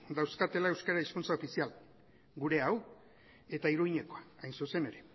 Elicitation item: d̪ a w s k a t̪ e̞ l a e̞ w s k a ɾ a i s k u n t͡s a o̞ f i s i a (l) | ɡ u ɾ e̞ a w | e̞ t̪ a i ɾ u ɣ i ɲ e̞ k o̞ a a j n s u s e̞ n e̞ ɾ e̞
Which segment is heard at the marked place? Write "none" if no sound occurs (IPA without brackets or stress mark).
l